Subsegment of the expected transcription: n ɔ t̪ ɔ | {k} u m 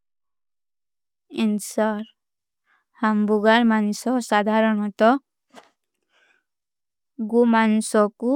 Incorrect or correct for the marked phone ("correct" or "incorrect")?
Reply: incorrect